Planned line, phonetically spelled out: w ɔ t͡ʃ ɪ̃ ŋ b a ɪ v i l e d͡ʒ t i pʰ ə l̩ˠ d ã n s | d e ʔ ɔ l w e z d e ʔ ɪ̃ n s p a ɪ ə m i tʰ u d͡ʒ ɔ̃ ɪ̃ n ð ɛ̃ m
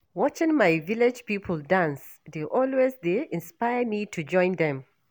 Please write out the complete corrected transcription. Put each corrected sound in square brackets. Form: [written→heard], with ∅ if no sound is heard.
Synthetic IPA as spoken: w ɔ t͡ʃ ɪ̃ ŋ [b→m] a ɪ v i l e d͡ʒ [t→p] i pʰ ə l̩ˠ d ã n s | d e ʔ ɔ l w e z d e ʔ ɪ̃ n s p a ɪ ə m i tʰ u d͡ʒ ɔ̃ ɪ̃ n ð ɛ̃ m